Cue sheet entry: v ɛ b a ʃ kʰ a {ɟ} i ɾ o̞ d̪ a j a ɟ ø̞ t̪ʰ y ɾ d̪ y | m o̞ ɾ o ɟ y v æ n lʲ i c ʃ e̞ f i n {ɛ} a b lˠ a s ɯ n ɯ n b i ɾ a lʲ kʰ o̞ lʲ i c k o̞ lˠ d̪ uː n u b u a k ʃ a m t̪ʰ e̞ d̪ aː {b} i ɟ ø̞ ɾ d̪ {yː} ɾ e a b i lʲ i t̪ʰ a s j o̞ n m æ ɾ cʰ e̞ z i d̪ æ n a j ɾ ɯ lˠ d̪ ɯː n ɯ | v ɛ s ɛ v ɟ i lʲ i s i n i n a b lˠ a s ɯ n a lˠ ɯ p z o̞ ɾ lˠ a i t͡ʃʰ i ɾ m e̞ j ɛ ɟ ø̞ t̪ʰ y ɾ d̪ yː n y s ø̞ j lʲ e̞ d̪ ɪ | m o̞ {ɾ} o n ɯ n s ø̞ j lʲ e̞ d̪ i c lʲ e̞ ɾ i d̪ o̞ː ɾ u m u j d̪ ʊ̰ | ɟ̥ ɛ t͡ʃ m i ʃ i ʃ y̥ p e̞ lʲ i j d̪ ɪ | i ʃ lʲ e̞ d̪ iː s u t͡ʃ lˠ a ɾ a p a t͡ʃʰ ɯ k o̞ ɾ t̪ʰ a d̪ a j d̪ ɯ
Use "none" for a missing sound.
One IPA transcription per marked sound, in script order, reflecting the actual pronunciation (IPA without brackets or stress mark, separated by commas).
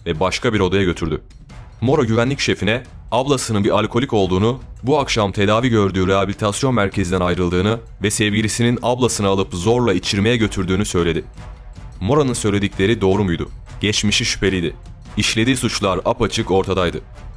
b, ɛ, v, yː, ɾ